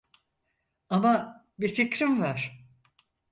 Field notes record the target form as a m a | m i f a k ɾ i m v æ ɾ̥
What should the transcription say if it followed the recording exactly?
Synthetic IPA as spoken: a m a | b i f i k ɾ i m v a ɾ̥